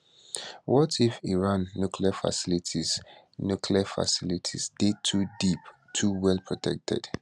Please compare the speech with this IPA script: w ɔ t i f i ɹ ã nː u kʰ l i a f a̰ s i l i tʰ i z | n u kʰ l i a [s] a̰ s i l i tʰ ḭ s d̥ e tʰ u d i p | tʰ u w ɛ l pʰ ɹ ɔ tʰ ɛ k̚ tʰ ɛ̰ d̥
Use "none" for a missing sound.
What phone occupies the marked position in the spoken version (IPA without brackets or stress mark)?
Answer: f